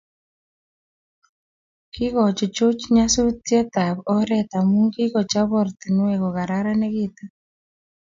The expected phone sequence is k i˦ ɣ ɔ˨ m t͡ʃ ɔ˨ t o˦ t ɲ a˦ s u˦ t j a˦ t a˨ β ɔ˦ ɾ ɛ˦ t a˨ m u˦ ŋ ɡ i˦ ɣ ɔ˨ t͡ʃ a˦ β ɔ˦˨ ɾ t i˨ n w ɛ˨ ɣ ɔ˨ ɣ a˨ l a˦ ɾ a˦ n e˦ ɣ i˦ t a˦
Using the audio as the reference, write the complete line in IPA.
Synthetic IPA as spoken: k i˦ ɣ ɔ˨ t͡ʃ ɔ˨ t͡ʃ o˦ t͡ʃ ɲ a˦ s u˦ t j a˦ t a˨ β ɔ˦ ɾ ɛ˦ t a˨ m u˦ ŋ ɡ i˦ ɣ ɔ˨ t͡ʃ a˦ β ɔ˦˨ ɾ t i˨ n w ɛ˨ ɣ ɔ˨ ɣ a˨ ɾ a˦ ɾ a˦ n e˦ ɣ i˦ t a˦